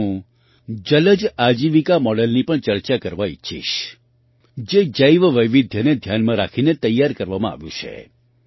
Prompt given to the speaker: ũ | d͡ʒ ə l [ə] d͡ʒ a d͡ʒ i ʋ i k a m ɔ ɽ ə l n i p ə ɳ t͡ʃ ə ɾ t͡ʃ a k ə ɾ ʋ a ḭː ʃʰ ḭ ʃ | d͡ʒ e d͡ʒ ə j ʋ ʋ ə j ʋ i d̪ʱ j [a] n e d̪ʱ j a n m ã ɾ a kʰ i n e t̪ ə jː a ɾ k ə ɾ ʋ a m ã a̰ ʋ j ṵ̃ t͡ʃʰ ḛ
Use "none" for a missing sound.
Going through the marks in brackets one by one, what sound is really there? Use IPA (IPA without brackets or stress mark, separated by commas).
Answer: ə, ə